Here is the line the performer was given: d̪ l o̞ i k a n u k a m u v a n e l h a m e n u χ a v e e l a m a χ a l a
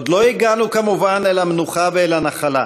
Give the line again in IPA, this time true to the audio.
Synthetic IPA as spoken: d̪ l o̞ i ɡ a n u k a m u v a n e l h a m e n u χ a v e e l a n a χ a l a